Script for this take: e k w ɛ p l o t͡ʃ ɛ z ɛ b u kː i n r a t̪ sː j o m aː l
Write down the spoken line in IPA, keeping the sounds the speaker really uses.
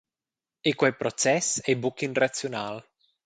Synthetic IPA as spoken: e k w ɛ p ɾ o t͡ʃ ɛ s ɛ b u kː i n r a t̪ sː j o n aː l